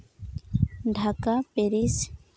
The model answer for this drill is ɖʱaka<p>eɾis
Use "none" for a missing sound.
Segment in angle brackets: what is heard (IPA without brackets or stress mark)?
p